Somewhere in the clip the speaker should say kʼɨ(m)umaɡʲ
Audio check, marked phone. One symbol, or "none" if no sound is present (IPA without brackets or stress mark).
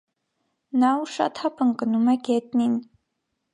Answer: n